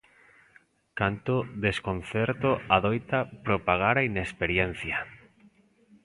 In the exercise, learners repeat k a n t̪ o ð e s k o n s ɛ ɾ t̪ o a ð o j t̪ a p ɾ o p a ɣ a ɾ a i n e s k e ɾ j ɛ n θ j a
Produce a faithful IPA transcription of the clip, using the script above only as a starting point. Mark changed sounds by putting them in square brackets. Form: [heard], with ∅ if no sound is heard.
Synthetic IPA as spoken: k a n t̪ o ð e s k o n [θ] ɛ ɾ t̪ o a ð o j t̪ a p ɾ o p a ɣ a ɾ a i n e s [p] e ɾ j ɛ n θ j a